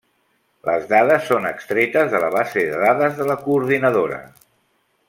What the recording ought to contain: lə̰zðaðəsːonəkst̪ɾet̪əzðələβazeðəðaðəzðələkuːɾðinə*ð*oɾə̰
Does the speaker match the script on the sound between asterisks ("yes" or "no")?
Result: yes